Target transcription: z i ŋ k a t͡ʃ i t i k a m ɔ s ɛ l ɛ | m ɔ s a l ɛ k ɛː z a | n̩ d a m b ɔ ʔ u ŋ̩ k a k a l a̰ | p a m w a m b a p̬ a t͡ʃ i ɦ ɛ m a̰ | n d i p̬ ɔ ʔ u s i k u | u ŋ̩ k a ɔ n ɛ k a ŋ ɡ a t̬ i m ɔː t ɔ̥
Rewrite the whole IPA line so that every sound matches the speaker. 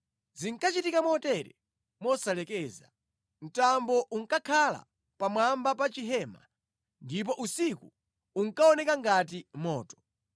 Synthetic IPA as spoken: z i ŋ k a t͡ʃ i t i k a m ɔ t ɛ ɾ ɛ | m ɔ s a l ɛ k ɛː z a | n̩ t a m b ɔ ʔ u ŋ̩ k a kʰ a l a̰ | p a m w a m b a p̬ a t͡ʃ i ɦ ɛ m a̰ | n d i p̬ ɔ ʔ u s i k u | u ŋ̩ k a ɔ n ɛ k a ŋ ɡ a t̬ i m ɔː t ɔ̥